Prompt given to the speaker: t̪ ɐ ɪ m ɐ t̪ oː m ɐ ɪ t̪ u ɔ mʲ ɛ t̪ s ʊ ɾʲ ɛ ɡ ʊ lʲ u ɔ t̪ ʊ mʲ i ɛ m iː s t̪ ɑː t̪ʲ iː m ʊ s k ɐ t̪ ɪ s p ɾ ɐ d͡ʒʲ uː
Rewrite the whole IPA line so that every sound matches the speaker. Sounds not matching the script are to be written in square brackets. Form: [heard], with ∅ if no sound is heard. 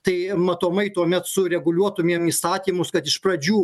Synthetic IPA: t̪ ɐ ɪ m ɐ t̪ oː m ɐ ɪ t̪ u ɔ mʲ ɛ t̪ s ʊ ɾʲ ɛ ɡ ʊ lʲ u ɔ t̪ ʊ mʲ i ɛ m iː s t̪ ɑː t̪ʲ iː m ʊ s k ɐ t̪ ɪ [ʃ] p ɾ ɐ d͡ʒʲ uː